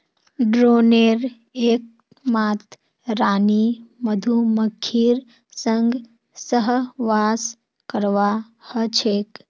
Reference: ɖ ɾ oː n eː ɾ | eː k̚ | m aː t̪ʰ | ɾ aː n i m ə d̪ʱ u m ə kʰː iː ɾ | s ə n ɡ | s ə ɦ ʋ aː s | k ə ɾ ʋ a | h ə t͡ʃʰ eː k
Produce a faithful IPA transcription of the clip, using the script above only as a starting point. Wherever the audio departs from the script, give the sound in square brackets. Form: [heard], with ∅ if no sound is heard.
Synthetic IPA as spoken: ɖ ɾ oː n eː ɾ | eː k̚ | m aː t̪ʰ | ɾ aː n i m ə d̪ʱ u m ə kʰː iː ɾ | s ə [ŋ] ɡ | s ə ɦ ʋ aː s | k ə ɾ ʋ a | h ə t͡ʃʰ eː k